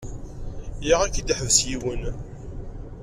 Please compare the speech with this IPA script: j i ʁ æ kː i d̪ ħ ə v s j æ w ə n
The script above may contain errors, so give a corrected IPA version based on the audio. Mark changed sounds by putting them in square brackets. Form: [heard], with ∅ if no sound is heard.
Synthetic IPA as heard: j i ʁ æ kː i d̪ ħ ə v s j [i] w ə n